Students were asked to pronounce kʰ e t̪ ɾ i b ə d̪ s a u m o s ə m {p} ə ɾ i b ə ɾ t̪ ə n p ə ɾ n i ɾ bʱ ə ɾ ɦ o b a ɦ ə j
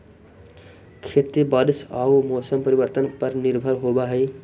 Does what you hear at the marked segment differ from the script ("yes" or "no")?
no